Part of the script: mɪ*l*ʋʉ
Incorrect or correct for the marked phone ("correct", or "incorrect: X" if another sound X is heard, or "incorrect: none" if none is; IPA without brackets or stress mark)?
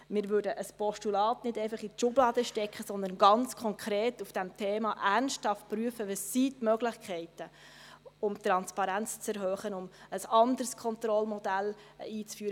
incorrect: ɾ